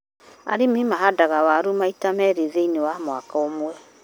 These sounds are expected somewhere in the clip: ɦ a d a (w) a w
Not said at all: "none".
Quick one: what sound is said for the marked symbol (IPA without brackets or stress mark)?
ɣ